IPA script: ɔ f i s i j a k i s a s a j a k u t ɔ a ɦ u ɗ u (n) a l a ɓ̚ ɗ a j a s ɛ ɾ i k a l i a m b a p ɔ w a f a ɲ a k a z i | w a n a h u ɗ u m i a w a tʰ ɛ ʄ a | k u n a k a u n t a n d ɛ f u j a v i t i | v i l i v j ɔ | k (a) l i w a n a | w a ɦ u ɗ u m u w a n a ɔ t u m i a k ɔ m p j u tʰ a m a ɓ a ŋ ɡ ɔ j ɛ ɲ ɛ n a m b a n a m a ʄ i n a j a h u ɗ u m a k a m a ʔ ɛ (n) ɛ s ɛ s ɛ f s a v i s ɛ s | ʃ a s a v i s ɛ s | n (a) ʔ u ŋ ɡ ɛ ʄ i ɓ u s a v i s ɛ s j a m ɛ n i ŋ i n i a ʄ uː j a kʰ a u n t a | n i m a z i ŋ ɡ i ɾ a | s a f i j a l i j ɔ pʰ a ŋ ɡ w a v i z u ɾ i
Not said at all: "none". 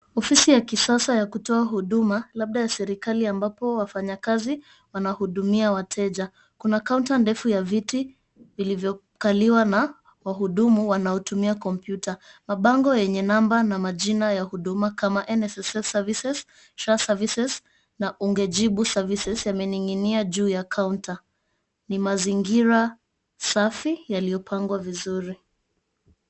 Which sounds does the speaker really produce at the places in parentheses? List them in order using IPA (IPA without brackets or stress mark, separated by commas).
m, a, n, a